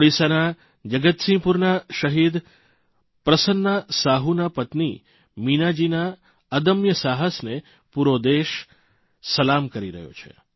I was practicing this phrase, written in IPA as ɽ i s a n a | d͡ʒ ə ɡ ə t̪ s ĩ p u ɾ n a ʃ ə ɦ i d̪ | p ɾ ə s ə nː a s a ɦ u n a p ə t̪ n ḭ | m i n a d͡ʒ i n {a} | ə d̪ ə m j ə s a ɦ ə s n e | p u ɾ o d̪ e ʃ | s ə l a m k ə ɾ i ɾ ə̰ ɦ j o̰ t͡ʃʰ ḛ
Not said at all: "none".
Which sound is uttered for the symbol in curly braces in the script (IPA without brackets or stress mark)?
a